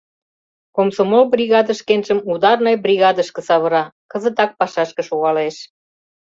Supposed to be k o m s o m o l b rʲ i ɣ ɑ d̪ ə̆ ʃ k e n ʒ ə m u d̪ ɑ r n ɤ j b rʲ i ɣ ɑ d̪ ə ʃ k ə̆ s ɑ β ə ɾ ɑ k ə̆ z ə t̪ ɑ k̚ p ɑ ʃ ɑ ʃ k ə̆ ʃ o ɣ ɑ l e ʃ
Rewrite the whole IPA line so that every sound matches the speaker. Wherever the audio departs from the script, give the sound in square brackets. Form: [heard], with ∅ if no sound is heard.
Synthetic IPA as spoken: k o m s o m o l b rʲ i ɣ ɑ d̪ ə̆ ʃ k e n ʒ ə m u d̪ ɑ r n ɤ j b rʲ i ɣ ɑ d̪ ə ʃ k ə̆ s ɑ β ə ɾ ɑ k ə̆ z ə t̪ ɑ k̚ p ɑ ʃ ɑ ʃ k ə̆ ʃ o ɣ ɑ l e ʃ